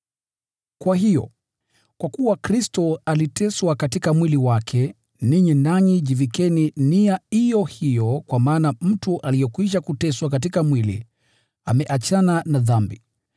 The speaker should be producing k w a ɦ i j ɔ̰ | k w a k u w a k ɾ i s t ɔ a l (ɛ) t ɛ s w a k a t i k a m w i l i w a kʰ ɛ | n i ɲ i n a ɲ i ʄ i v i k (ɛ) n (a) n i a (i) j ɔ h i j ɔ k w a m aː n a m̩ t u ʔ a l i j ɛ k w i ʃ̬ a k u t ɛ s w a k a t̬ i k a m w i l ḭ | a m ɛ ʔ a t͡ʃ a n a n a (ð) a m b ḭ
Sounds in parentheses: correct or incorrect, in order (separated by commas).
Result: incorrect, correct, incorrect, correct, correct